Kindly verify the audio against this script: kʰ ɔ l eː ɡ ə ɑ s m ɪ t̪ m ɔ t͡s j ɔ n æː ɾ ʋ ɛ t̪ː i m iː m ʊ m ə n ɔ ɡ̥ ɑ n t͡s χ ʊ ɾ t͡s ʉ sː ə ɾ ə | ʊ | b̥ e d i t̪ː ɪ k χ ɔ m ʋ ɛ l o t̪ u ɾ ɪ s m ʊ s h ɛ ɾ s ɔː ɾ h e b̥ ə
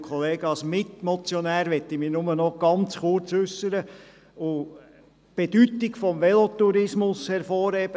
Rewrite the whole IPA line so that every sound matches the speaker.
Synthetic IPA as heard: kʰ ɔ l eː ɡ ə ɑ s m ɪ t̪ m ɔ t͡s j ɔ n æː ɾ ʋ ɛ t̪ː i m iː n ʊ m ə n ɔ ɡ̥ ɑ n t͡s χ ʊ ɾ t͡s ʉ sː ə ɾ ə | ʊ | b̥ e d y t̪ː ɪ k f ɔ m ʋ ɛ l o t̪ u ɾ ɪ s m ʊ s h ɛ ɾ f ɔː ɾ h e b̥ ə